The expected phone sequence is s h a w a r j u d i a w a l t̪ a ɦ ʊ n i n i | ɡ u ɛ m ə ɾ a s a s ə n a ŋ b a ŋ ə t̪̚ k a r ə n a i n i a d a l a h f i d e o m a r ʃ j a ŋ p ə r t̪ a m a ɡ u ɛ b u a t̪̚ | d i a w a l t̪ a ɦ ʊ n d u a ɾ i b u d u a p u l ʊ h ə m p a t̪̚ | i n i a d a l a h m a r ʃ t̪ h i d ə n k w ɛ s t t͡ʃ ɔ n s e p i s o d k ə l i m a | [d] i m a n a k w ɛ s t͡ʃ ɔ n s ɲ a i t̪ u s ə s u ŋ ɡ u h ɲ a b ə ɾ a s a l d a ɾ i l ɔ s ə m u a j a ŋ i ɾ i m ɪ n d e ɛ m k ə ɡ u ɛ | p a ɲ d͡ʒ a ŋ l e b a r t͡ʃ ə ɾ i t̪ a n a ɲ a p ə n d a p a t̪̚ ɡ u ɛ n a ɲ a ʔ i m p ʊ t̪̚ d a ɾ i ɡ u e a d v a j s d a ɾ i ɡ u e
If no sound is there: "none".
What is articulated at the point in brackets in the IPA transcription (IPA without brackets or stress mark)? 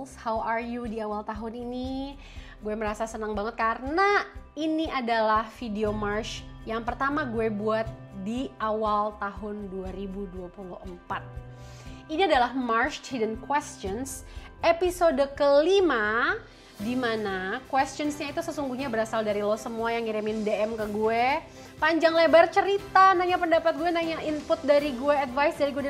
d